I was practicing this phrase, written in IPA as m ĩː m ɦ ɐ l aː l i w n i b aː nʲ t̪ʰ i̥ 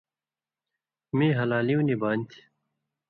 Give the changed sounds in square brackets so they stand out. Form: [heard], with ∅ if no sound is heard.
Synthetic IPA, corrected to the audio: m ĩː [∅] ɦ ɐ l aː l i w n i b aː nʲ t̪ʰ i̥